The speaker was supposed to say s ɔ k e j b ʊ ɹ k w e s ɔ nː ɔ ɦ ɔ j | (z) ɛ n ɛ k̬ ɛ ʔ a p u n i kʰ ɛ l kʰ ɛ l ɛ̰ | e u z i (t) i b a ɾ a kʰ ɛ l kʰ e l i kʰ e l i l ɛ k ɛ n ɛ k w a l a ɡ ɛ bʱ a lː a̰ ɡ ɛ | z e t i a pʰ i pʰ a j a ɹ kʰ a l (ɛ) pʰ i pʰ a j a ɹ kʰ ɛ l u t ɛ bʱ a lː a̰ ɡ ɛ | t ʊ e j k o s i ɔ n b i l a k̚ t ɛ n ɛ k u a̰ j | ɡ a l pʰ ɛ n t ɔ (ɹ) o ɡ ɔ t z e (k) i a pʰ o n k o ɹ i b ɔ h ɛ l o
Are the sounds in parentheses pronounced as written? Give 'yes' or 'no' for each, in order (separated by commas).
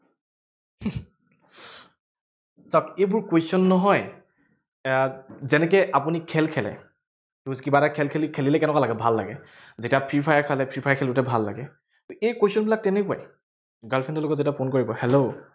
yes, no, yes, no, no